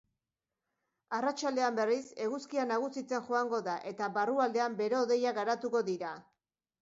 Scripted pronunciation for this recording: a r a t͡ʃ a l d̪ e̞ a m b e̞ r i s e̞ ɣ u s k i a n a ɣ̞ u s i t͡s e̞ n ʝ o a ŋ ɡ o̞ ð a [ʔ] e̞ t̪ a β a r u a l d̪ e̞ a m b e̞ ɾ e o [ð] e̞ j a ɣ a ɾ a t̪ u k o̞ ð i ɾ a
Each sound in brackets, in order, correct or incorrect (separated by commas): correct, correct